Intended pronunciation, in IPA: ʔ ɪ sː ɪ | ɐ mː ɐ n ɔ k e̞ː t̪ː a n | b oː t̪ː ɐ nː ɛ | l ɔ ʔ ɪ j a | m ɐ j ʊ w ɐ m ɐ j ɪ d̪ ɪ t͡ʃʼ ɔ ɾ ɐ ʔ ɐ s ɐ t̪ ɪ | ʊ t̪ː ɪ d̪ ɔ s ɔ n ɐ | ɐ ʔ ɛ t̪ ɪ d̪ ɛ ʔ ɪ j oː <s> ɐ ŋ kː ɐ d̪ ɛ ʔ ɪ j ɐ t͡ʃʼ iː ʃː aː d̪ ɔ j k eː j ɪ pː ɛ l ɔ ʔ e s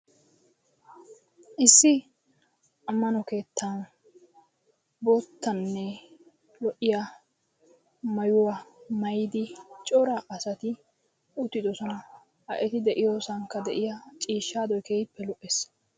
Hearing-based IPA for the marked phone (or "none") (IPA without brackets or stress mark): s